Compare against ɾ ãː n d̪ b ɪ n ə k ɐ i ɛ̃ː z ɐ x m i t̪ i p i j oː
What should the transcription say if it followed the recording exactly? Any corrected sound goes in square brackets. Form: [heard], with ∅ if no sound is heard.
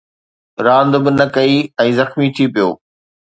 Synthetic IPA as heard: ɾ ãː n d̪ b ɪ n [ɐ] k ɐ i ɛ̃ː z ɐ x m i [t̪ʰ] i p i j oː

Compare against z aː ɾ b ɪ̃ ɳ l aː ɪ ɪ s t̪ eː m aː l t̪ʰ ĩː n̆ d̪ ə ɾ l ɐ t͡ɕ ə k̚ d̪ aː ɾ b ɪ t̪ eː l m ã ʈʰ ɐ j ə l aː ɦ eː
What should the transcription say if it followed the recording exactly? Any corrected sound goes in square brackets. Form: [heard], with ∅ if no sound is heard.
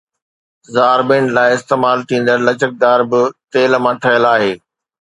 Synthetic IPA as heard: z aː ɾ b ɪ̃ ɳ l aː ɪ ɪ s t̪ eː m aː l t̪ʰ ĩː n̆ d̪ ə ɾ l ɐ t͡ɕ ə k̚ d̪ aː ɾ b ɪ t̪ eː l m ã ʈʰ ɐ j ə l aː ɦ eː

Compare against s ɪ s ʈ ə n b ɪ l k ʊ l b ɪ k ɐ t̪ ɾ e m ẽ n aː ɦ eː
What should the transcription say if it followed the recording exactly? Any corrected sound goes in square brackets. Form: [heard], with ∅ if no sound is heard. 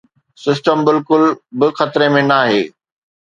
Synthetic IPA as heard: s ɪ s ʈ ə [m] b ɪ l k ʊ l b ɪ [x] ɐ t̪ ɾ e m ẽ n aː ɦ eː

